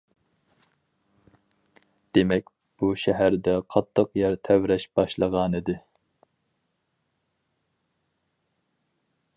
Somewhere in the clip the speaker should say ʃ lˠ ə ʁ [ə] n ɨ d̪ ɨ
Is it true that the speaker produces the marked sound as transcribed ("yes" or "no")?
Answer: no